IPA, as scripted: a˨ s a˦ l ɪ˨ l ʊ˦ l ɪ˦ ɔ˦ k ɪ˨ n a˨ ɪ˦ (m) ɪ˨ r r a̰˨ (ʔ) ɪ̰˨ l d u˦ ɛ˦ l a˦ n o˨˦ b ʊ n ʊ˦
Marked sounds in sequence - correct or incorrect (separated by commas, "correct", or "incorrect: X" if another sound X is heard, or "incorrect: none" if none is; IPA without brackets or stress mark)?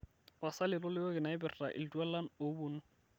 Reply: incorrect: b, correct